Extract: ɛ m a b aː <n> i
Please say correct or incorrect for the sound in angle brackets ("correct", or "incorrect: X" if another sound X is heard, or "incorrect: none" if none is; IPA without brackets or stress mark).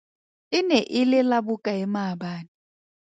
correct